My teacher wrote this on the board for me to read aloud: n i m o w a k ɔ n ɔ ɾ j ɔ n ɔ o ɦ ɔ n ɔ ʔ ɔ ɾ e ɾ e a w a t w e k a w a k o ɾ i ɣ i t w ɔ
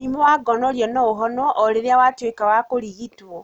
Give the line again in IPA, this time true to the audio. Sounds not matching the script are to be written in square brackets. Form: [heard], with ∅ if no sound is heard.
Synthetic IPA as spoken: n i m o w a [ɡ] ɔ n ɔ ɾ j ɔ n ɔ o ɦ ɔ n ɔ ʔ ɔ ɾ e ɾ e a w a t w e k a w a k o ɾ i ɣ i t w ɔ